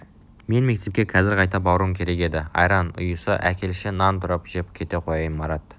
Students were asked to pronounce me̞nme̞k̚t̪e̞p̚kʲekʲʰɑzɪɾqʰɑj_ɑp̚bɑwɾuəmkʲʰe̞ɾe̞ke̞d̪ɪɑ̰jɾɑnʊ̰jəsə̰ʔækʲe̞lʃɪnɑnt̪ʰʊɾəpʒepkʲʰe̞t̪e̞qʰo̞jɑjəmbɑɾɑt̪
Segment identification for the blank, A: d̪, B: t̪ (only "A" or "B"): B